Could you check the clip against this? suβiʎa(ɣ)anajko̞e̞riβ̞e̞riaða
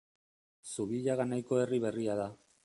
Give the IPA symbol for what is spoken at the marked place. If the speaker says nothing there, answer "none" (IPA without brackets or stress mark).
ɣ